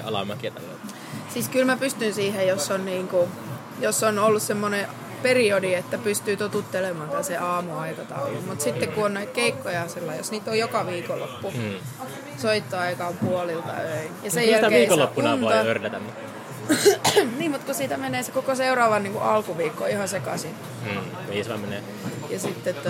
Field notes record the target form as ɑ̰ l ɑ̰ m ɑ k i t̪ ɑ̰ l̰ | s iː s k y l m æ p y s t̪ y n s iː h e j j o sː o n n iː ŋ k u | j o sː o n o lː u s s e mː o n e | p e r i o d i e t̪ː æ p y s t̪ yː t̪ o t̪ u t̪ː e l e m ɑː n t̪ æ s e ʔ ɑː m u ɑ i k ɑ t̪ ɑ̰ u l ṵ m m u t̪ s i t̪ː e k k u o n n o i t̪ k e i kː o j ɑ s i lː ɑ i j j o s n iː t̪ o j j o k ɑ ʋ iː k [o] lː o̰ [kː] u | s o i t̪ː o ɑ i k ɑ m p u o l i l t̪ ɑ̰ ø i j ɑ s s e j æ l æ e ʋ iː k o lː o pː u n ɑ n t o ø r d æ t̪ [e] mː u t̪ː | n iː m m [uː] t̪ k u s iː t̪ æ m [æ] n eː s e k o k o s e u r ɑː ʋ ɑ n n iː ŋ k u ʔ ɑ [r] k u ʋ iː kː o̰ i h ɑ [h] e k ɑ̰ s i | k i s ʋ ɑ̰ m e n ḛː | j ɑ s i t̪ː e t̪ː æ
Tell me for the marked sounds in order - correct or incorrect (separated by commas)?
correct, incorrect, incorrect, incorrect, incorrect, incorrect, incorrect